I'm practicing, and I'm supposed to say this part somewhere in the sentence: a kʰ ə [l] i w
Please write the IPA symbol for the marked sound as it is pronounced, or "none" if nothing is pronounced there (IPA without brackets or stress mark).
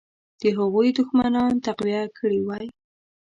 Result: ɽ